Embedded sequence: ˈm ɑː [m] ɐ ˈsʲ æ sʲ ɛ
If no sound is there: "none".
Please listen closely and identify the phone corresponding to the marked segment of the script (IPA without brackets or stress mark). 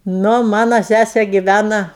n